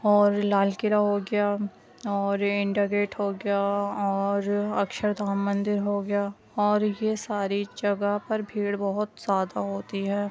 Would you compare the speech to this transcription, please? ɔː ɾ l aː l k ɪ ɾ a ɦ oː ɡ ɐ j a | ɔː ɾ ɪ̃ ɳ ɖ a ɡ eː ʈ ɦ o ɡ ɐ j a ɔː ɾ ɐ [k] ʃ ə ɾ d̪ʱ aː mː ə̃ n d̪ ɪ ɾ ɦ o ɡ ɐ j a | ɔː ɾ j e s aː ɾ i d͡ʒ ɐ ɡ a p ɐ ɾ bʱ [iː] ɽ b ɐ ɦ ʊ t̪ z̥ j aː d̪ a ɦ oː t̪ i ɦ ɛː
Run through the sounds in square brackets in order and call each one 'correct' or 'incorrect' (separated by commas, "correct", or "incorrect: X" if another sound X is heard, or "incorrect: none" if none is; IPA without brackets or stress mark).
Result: correct, correct